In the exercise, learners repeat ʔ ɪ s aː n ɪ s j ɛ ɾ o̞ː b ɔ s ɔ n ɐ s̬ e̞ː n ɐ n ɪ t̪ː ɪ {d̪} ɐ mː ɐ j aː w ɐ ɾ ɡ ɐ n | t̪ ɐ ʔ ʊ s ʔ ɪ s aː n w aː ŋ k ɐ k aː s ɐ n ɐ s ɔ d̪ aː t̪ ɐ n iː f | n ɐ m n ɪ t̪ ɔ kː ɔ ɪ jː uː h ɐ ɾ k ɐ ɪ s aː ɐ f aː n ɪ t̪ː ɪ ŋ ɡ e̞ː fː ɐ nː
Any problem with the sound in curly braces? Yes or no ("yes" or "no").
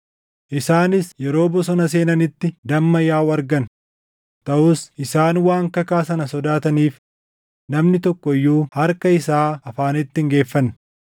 no